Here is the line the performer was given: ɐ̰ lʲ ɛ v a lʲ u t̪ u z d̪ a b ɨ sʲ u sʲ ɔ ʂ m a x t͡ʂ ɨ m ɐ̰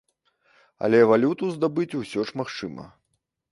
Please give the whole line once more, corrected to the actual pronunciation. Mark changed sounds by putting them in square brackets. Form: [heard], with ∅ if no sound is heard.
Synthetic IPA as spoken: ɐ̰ lʲ ɛ v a lʲ u t̪ u z d̪ a b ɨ [t͡sʲ] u sʲ ɔ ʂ m a x t͡ʂ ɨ m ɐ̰